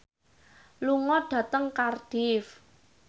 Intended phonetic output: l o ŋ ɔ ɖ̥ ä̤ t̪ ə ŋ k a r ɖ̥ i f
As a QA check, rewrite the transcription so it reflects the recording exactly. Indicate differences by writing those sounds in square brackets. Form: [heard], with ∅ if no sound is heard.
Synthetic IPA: l [u] ŋ ɔ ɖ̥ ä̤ t̪ ə ŋ k a r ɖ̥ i f

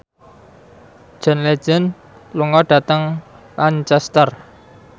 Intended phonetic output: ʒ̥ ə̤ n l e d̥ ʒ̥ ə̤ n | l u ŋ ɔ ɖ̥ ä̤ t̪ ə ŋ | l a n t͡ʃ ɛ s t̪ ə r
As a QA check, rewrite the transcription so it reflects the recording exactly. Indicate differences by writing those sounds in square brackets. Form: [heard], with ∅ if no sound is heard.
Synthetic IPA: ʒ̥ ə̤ n l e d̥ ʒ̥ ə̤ n | l u ŋ ɔ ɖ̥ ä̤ t̪ ə ŋ | l a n t͡ʃ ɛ s t̪ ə r

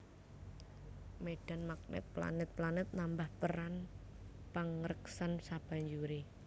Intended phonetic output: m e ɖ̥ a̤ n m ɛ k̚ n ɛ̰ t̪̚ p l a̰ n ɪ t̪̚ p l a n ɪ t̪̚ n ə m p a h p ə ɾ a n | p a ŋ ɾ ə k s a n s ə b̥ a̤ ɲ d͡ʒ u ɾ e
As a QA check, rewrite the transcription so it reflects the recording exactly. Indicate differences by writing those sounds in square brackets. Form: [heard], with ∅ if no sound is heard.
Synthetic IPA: m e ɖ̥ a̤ n m [a] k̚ n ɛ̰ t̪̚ p l a̰ n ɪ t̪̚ p l a n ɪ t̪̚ n [a] m [b] a h p ə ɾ a n | p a ŋ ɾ ə k s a n s [a] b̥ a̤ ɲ d͡ʒ u ɾ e

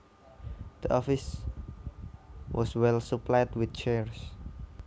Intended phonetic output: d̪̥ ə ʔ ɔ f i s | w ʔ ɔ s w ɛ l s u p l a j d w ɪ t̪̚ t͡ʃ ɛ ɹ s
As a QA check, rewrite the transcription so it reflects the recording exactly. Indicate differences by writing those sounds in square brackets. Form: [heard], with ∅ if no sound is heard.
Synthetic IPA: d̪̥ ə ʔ ɔ f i s | w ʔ ɔ s w ɛ l s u p l a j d w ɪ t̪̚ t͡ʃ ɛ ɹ s

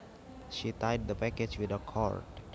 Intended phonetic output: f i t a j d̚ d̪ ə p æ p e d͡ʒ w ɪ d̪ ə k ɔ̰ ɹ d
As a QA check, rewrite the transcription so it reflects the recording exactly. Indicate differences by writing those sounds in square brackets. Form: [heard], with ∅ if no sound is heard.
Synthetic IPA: [ʃ] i t a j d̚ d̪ ə p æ [k] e d͡ʒ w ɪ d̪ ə [kʰ] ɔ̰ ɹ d

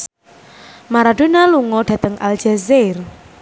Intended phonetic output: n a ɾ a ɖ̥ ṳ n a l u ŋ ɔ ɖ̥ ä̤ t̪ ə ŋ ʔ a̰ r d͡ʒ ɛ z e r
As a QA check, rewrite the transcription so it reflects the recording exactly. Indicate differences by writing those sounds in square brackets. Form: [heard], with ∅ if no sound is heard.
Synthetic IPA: [m] a ɾ a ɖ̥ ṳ n a l u ŋ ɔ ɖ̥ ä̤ t̪ ə ŋ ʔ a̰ [l] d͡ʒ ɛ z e r

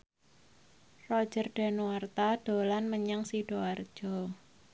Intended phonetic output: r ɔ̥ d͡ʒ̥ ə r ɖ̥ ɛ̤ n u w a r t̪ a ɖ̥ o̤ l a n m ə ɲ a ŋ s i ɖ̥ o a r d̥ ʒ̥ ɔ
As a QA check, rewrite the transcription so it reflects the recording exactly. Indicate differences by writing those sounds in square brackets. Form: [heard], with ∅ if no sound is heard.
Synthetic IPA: r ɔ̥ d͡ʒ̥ ə r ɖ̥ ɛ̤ n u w a r t̪ a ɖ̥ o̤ l a n m ə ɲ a ŋ s i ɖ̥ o a r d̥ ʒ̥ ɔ

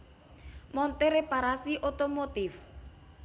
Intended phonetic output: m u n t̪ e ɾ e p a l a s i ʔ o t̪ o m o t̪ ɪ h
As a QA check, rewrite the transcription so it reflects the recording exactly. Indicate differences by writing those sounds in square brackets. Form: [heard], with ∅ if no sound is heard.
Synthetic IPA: m [ɔ] n t̪ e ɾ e p a [ɾ] a s i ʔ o t̪ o m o t̪ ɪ [f]

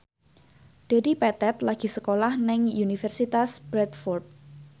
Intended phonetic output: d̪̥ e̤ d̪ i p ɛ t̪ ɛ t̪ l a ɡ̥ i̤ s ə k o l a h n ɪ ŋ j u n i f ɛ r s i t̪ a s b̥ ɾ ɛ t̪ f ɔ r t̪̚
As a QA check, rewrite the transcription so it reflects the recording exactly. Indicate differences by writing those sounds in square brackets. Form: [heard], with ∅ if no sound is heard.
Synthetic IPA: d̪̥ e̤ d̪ i p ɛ t̪ ɛ t̪ l a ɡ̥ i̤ s ə k o l a h n ɪ ŋ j u n i f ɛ r s i t̪ a s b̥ ɾ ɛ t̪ f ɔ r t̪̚

